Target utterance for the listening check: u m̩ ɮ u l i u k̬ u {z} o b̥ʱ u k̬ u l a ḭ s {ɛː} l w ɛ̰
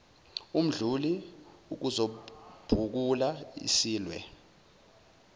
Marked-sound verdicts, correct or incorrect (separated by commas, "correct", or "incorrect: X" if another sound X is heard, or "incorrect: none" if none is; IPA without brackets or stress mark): correct, incorrect: iː